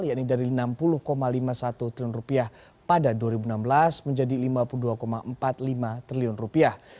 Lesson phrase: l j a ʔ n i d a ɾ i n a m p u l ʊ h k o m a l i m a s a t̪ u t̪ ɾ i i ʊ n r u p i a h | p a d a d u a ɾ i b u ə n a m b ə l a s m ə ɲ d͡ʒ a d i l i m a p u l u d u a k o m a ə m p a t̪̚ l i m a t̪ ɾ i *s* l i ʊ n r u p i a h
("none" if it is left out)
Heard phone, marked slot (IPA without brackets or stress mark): none